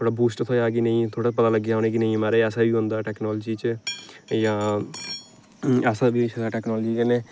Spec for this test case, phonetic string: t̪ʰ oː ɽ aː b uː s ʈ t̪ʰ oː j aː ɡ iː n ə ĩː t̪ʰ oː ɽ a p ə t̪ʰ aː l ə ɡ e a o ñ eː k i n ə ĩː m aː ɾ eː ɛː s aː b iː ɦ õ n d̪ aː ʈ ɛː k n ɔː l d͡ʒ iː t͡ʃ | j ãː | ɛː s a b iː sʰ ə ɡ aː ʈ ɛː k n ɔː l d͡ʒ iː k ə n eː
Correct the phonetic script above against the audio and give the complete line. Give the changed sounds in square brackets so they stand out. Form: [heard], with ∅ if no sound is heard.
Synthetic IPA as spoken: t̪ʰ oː ɽ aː b uː s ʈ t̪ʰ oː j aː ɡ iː n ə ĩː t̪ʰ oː ɽ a p ə [t̪] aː l ə ɡ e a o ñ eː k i n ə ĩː m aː ɾ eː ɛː s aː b iː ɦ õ n d̪ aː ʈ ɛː k n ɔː l d͡ʒ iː t͡ʃ | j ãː | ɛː s a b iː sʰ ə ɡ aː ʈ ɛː k n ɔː l d͡ʒ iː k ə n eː